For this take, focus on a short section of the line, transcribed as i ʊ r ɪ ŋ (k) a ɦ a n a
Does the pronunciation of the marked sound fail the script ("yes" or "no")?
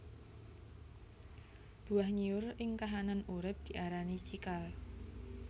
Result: no